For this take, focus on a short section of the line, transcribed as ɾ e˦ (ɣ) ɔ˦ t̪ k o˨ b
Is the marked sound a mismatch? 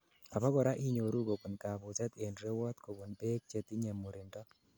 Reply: yes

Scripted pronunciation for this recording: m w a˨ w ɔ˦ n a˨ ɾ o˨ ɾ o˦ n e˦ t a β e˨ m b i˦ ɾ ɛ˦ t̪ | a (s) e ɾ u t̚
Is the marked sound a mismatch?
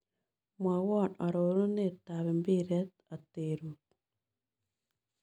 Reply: yes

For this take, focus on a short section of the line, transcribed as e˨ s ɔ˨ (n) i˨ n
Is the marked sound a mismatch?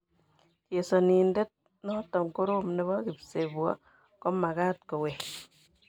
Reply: no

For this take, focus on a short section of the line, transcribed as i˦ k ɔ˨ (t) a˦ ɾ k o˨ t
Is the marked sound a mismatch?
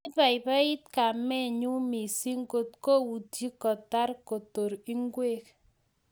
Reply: no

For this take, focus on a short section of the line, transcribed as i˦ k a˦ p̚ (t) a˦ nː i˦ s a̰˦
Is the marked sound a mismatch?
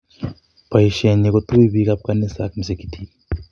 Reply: yes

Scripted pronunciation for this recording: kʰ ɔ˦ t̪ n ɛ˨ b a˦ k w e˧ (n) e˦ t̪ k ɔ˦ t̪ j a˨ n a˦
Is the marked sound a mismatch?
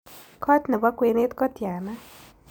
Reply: no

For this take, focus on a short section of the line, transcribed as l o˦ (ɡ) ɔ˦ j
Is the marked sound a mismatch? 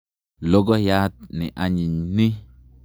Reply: no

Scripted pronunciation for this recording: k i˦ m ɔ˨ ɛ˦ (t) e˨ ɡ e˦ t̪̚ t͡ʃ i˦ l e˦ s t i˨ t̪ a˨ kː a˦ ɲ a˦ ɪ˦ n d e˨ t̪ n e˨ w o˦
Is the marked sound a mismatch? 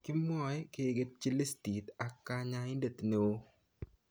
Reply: yes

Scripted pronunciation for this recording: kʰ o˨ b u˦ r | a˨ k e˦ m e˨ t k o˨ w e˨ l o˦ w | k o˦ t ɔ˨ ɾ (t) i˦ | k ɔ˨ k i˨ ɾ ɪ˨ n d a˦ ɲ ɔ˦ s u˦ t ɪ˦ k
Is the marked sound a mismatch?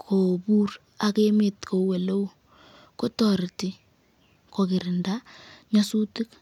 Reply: no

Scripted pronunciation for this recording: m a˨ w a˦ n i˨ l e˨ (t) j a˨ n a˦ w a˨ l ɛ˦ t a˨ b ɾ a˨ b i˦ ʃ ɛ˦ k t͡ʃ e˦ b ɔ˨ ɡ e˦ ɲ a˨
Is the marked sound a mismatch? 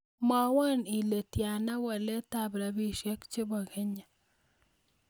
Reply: no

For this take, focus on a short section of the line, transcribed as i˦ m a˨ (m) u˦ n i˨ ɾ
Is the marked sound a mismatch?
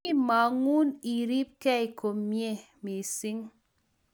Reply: yes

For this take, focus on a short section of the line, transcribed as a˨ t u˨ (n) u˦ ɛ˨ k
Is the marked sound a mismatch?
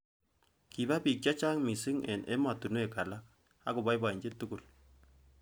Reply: no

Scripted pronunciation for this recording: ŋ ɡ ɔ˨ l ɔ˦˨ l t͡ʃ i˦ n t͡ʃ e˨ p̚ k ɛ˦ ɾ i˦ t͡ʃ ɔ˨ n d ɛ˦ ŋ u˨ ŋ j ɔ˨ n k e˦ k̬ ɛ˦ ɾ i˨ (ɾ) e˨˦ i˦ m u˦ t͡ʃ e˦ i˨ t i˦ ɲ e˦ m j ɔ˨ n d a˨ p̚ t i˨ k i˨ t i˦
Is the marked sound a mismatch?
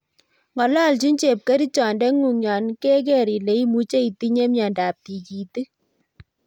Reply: yes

